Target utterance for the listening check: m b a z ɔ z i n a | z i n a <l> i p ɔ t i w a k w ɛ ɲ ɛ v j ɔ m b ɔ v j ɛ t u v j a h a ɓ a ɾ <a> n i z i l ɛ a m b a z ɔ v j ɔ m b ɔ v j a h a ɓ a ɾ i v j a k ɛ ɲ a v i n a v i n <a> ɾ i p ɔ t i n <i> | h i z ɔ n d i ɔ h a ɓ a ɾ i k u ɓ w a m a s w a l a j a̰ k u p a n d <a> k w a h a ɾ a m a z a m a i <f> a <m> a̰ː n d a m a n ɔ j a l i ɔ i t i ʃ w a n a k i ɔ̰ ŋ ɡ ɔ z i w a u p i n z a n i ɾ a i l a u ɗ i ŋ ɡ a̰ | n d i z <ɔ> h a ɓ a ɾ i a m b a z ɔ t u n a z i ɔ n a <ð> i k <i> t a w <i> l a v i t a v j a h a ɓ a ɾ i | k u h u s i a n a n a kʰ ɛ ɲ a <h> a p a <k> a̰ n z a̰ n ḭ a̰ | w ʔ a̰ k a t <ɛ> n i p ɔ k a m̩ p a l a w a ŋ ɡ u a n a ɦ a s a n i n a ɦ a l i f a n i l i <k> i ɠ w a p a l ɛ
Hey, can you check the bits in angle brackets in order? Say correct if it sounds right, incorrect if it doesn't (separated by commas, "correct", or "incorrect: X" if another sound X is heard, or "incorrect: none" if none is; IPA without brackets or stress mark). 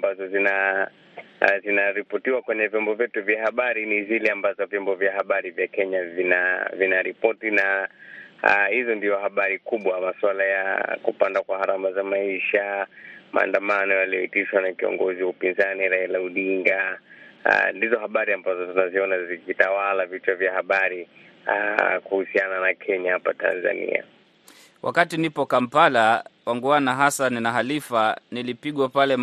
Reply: incorrect: ɾ, incorrect: i, correct, incorrect: a, correct, incorrect: ʃ, correct, correct, incorrect: z, correct, incorrect: a, correct, incorrect: t, incorrect: i, incorrect: p